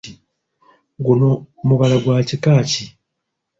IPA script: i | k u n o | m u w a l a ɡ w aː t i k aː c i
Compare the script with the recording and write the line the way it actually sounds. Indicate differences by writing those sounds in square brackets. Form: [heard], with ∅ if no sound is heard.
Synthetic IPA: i | [ɡ] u n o | m u [β] a l a ɡ w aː [c] i k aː c i